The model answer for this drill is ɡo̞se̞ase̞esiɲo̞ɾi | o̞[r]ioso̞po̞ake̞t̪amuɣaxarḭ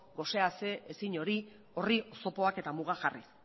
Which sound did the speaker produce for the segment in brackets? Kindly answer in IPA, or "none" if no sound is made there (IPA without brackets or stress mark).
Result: r